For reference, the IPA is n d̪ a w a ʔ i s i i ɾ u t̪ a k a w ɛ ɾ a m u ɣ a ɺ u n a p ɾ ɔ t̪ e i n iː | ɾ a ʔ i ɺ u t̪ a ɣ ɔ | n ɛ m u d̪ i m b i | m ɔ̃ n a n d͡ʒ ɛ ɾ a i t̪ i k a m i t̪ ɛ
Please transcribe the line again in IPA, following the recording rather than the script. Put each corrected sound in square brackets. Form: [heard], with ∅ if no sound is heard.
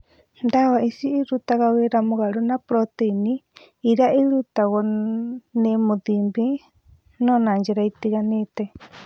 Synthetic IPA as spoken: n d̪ a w a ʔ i s i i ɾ u t̪ a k a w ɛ ɾ a m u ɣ a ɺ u n a p ɾ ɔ t̪ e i n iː | ɾ a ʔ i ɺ u t̪ a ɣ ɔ | n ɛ m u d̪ i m b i | [n] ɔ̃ n a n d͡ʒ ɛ ɾ a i t̪ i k a [n] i t̪ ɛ